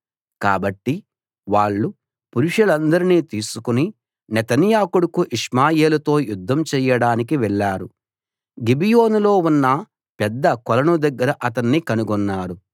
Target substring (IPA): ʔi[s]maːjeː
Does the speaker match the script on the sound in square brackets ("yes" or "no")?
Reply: no